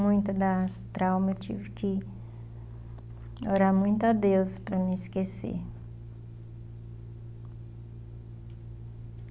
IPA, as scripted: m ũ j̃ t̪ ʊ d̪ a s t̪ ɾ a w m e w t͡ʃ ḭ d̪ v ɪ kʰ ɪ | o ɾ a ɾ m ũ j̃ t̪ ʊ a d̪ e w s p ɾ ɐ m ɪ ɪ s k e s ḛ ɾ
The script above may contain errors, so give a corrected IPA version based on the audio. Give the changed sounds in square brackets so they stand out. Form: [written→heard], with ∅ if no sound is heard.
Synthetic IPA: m ũ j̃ t̪ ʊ d̪ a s t̪ ɾ a w m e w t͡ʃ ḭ [d̪→∅] v ɪ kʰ ɪ | o ɾ a ɾ m ũ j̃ t̪ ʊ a d̪ e w s p ɾ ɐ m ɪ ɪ s k e s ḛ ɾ